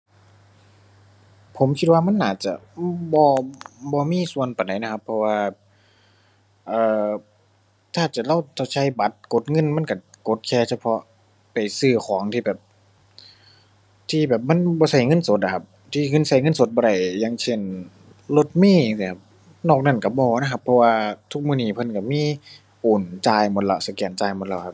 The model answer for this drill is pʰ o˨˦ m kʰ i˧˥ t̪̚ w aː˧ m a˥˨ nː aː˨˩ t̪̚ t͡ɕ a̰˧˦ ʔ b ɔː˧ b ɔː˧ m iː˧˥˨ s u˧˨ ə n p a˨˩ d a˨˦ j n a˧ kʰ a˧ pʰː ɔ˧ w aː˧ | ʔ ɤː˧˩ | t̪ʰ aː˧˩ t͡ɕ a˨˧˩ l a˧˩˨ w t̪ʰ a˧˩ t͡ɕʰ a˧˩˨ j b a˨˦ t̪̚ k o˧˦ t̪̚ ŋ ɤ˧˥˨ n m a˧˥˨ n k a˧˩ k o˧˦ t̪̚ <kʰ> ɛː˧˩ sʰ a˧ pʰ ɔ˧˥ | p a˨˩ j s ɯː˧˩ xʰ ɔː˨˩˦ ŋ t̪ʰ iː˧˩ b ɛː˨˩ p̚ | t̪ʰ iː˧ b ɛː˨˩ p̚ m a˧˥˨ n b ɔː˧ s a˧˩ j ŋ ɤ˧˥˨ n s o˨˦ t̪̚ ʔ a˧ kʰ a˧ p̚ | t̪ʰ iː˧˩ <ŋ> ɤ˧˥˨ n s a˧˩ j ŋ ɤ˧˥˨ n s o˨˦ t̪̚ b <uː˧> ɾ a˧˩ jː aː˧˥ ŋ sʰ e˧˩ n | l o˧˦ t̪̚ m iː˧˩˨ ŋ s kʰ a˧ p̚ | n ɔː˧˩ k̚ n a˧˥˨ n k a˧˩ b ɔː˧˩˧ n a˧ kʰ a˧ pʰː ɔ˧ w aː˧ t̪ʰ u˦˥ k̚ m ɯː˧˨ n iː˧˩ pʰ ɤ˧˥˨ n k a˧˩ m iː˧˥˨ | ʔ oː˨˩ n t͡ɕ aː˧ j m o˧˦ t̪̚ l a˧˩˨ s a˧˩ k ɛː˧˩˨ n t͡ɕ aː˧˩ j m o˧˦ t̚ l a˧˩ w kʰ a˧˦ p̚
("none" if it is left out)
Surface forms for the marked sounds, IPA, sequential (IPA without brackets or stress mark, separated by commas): kʰ, ŋ, ɔː˧